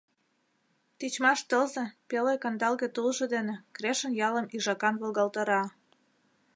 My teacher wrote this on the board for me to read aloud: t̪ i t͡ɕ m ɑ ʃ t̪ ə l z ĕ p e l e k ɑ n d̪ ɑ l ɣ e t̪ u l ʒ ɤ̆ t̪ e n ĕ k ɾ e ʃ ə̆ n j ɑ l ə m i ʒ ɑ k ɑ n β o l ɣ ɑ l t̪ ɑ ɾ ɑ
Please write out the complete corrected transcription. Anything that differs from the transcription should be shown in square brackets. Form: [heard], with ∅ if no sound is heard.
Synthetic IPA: t̪ i t͡ɕ m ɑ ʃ t̪ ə l z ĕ p e l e k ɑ n d̪ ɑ l ɣ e t̪ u l ʒ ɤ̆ [d̪] e n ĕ k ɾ e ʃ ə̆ n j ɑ l ə m i ʒ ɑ k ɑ n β o l ɣ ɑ l t̪ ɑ ɾ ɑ